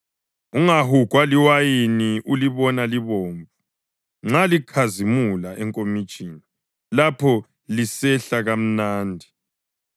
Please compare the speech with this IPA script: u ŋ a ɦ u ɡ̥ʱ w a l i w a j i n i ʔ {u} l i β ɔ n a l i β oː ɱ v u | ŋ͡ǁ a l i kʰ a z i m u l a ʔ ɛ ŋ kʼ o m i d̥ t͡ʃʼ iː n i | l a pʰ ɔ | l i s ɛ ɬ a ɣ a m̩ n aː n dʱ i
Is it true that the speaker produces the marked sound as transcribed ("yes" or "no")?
yes